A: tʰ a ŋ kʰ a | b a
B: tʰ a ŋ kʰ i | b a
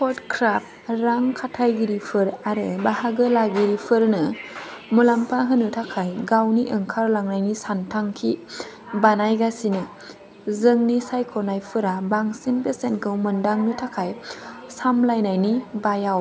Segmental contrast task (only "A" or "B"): B